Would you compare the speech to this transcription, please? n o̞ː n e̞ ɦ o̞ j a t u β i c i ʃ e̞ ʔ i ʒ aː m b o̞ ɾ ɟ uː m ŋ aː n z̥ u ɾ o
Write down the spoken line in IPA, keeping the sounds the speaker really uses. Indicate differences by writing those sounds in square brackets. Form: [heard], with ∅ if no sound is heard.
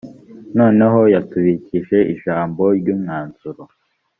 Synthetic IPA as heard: n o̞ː n e̞ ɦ o̞ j a t u β i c i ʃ e̞ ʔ i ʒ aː m b o̞ ɾ ɟ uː m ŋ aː n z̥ u ɾ o